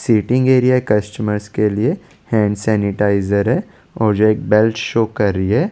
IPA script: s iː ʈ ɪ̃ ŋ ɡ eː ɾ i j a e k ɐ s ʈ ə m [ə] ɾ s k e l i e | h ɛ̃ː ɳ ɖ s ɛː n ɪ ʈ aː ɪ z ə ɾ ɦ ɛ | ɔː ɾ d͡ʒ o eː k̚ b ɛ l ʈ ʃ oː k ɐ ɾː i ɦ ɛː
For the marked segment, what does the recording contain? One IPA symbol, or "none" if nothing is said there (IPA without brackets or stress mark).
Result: ə